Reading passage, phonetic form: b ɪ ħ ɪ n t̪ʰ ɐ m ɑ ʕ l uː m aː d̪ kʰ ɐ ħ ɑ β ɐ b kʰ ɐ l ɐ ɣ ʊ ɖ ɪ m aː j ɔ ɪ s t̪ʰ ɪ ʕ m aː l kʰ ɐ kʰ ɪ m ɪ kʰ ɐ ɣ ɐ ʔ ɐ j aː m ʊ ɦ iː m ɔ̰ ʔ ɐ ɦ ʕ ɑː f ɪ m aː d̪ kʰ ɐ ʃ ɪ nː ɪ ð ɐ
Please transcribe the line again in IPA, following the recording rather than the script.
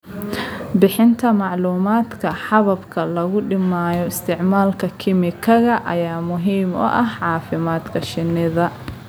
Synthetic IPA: b ɪ ħ ɪ n t̪ʰ ɐ m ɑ ʕ l uː m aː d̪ kʰ ɐ ħ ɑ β ɐ b kʰ ɐ l ɐ ɣ ʊ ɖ ɪ m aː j ɔ ɪ s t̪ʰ ɪ ʕ m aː l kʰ ɐ kʰ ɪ m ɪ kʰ ɐ ɣ ɐ ʔ ɐ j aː m ʊ ɦ iː m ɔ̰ ʔ ɐ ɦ ʕ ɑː f ɪ m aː d̪ kʰ ɐ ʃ ɪ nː ɪ ð ɐ

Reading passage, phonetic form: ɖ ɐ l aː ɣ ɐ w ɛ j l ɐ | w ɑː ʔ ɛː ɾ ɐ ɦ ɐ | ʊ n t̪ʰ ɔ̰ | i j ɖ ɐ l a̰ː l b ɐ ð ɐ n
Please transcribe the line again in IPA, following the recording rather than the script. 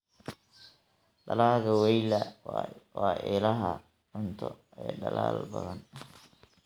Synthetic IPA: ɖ ɐ l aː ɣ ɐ w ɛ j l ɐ | w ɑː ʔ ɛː l ɐ ɦ ɐ | ʊ n t̪ʰ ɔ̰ | ɛ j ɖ ɐ l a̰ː l b ɐ ð ɐ n

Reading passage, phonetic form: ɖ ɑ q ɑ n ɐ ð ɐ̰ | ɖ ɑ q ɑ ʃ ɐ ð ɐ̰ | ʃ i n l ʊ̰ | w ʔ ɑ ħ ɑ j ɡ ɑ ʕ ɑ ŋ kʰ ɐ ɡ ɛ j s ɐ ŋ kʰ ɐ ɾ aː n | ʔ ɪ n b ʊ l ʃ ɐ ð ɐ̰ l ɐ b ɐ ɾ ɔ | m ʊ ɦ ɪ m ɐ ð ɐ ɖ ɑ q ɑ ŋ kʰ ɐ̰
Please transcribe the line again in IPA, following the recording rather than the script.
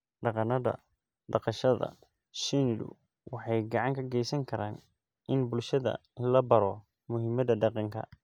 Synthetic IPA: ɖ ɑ q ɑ n ɐ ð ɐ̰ | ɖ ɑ q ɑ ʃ ɐ ð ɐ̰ | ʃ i n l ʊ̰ | w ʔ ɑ ħ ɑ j ɡ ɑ ʕ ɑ ŋ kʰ ɐ ɡ ɛ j s ɐ ŋ kʰ ɐ ɾ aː n | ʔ ɪ n b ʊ l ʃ ɐ ð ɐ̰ l ɐ b ɐ ɾ ɔ | m ʊ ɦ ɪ m ɐ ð ɐ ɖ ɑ q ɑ ŋ kʰ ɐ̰

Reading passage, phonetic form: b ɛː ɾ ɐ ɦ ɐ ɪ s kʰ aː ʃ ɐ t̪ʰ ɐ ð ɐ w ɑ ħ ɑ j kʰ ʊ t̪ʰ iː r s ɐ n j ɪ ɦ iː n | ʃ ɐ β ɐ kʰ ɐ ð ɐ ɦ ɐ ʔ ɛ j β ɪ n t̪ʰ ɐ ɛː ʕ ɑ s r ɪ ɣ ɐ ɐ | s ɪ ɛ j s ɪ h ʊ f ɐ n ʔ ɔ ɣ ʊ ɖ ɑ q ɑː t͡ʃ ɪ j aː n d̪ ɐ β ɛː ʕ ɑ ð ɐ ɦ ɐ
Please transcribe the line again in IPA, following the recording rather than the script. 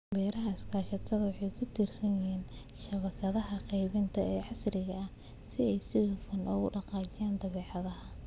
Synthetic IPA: b ɛː ɾ ɐ ɦ ɐ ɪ s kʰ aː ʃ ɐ t̪ʰ ɐ ð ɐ w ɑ ħ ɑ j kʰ ʊ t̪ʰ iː r s ɐ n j ɪ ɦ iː n | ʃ ɐ β ɐ kʰ ɐ ð ɐ ɦ ɐ q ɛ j β ɪ n t̪ʰ ɐ ɛː ʕ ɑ s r ɪ ɣ ɐ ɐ | s ɪ ɛ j s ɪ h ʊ f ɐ n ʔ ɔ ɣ ʊ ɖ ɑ q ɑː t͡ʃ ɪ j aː n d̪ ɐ β ɛː ʕ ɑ ð ɐ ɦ ɐ

